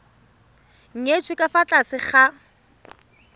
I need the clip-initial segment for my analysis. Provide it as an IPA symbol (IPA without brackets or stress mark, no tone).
ŋ̩